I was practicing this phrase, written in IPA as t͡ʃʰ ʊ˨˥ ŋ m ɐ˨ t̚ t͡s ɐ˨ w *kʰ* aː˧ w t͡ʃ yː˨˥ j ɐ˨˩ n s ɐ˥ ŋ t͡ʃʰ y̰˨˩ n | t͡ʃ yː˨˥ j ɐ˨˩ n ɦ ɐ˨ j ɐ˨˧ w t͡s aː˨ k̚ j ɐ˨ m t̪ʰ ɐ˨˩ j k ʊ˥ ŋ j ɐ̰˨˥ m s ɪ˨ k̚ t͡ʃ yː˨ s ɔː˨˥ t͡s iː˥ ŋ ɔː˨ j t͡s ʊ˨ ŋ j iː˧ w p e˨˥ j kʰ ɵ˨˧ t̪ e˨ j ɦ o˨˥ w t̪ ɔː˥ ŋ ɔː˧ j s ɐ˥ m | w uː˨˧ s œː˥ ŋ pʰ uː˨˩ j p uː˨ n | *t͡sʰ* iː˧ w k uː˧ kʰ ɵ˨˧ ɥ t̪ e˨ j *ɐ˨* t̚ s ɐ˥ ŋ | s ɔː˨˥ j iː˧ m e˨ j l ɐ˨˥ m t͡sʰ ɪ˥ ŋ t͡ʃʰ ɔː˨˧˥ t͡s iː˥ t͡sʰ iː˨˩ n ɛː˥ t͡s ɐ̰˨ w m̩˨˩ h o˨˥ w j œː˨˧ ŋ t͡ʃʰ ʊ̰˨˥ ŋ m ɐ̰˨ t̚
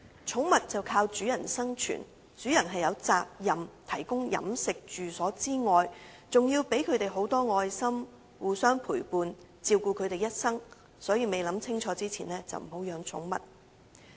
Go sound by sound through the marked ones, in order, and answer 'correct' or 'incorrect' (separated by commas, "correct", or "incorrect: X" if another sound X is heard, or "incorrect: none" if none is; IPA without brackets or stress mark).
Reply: correct, incorrect: t͡s, incorrect: ɐ˥